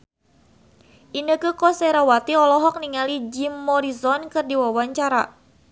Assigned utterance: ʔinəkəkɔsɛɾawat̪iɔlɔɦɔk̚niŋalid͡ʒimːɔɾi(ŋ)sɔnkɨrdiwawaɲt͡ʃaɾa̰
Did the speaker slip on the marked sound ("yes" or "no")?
yes